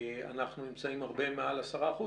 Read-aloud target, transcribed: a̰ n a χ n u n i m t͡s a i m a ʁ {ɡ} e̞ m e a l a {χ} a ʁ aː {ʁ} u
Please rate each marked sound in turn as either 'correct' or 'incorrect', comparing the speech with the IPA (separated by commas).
incorrect, incorrect, incorrect